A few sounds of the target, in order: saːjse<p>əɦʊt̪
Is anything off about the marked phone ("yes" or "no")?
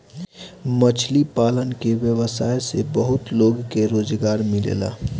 yes